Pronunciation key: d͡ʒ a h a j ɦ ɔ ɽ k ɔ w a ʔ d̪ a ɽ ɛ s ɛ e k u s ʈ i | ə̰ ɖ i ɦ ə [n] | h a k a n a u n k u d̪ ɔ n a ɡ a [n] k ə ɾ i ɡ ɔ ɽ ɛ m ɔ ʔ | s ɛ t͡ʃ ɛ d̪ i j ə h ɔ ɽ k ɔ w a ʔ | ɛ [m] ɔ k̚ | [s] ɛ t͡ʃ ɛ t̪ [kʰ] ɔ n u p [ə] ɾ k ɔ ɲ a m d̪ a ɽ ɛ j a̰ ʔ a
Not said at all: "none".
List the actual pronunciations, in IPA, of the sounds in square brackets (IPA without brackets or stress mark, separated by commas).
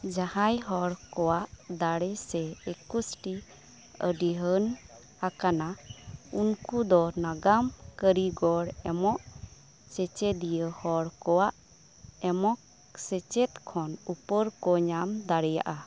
n, m, m, s, kʰ, ə